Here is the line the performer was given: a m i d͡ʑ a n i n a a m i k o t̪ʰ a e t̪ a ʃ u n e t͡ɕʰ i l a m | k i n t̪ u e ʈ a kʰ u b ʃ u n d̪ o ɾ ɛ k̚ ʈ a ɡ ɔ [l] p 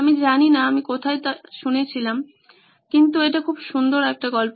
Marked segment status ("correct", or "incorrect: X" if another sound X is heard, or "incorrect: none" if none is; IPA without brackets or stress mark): correct